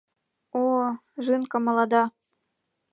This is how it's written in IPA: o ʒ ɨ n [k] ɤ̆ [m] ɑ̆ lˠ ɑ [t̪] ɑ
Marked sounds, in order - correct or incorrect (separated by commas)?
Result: correct, correct, incorrect